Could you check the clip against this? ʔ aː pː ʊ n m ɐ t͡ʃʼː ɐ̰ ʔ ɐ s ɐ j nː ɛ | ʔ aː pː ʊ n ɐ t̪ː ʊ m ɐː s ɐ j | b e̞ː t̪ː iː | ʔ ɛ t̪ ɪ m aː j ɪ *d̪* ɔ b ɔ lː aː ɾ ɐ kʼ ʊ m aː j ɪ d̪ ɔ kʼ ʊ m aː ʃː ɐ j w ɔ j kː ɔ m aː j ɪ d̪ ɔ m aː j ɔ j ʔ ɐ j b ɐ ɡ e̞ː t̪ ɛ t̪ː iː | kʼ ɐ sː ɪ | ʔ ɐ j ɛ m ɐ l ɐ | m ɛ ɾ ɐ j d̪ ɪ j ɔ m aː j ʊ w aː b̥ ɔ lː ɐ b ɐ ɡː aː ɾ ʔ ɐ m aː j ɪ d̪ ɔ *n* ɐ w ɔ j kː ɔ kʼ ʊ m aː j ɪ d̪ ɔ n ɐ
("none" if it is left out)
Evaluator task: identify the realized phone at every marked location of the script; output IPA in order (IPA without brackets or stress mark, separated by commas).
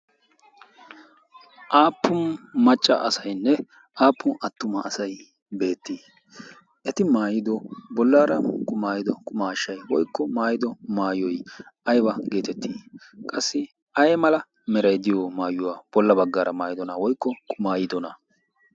d̪, n